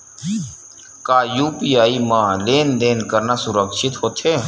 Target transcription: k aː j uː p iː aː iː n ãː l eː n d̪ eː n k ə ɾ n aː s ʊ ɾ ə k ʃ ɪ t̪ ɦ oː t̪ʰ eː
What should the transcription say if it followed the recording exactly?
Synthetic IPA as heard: k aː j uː p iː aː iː m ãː l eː n d̪ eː n k ə ɾ n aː s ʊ ɾ ə k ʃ ɪ t̪ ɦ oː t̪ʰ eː